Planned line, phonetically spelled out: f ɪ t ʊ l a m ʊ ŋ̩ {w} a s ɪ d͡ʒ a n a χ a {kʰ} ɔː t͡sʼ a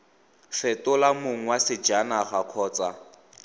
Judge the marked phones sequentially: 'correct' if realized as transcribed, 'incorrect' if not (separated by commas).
correct, correct